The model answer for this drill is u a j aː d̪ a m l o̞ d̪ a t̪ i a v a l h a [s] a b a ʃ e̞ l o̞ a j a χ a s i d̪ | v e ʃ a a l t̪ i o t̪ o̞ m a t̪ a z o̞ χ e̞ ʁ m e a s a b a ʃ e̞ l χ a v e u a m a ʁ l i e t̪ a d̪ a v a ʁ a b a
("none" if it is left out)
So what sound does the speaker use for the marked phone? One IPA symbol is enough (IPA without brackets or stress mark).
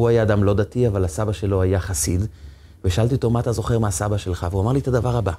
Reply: s